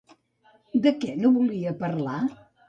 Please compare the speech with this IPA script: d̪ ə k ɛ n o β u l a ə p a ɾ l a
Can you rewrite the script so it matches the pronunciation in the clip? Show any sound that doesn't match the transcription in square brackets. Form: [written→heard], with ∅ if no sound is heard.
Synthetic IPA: d̪ ə k ɛ n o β u l [a→i] ə p [a→ə] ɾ l a